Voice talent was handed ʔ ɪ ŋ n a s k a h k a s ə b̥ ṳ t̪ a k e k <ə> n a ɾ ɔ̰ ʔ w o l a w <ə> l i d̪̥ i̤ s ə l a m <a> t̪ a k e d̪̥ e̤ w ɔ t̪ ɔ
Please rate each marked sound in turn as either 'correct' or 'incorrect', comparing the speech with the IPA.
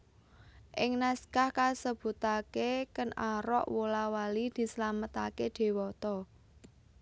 correct, incorrect: a, incorrect: ə

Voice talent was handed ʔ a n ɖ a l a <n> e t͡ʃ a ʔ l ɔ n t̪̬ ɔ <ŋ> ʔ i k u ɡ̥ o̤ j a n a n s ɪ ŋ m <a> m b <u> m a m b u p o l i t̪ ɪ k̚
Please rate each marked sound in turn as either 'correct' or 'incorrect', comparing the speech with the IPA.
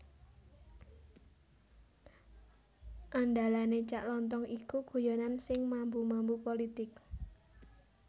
correct, correct, correct, correct

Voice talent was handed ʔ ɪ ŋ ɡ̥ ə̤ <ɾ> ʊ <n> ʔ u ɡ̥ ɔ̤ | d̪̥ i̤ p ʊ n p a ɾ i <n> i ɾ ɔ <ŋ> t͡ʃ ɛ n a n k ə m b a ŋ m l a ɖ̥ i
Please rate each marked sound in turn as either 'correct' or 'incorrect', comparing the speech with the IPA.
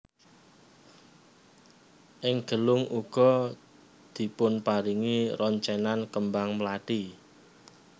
incorrect: l, incorrect: ŋ, incorrect: ŋ, incorrect: ɲ

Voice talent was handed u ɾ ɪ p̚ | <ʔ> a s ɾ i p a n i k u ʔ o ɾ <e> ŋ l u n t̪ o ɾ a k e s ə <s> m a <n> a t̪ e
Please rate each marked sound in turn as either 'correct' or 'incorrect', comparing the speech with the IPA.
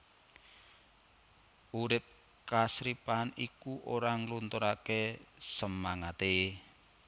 incorrect: k, incorrect: a, incorrect: none, incorrect: ŋ

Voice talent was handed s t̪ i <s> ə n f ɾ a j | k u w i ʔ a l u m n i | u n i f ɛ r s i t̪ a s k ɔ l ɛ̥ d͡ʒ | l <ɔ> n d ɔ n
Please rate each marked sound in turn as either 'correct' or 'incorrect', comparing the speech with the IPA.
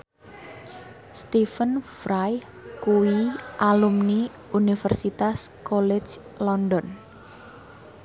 incorrect: f, correct

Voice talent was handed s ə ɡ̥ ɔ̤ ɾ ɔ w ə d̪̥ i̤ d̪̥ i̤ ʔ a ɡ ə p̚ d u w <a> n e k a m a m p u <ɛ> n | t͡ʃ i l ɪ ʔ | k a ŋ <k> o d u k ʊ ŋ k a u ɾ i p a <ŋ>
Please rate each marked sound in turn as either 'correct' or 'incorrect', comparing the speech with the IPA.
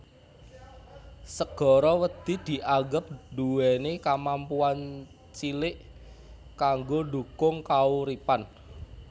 incorrect: ɛ, incorrect: a, incorrect: ɡ, incorrect: n

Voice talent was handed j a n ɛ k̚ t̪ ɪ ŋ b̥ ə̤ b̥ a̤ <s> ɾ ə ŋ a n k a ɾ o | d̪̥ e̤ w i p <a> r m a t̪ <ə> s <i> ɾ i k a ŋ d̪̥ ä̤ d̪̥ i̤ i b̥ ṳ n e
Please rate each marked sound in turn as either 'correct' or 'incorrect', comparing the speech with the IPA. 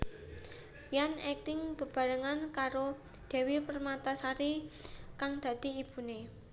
incorrect: none, incorrect: ə, incorrect: a, incorrect: a

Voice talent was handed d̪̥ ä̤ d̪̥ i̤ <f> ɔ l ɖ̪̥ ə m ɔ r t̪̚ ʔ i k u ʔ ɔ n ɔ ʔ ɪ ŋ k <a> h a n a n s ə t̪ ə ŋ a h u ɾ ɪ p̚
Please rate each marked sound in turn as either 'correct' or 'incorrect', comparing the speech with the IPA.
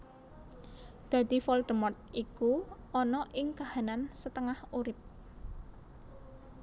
correct, correct

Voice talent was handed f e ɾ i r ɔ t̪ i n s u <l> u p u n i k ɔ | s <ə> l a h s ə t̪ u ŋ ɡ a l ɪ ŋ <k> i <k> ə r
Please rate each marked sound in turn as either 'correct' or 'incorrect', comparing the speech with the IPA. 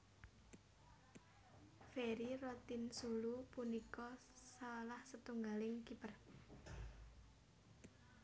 correct, incorrect: a, correct, incorrect: p

